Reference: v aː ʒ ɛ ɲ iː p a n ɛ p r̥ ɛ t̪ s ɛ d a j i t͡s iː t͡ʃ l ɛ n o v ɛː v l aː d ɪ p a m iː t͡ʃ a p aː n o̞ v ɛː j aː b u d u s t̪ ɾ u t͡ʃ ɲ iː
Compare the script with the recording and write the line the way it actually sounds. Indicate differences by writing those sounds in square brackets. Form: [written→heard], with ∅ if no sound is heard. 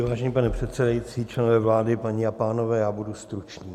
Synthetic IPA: v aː ʒ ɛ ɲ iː p a n ɛ p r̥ ɛ t̪ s ɛ d a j i t͡s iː t͡ʃ l ɛ n o v ɛː v l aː d ɪ p a [m→ɲ] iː [t͡ʃ→∅] a p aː n o̞ v ɛː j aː b u d u s t̪ ɾ u t͡ʃ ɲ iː